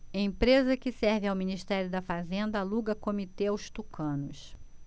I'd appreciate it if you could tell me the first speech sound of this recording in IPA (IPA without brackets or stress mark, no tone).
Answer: ẽ